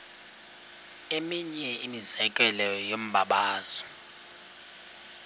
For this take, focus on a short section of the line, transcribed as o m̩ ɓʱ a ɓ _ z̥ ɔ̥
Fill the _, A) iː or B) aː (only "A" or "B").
B